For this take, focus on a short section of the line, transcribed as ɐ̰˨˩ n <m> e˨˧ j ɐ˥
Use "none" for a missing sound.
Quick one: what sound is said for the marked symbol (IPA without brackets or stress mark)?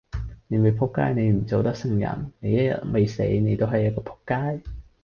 n